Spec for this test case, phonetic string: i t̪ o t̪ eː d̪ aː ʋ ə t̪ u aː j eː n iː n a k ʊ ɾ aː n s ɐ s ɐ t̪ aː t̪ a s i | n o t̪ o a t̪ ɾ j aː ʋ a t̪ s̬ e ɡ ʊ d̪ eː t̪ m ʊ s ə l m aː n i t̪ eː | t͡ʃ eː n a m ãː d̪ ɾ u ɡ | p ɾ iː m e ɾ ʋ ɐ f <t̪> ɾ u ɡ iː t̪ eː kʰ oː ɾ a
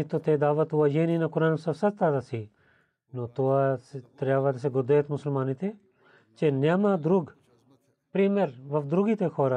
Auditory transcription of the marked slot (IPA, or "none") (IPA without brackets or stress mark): d̪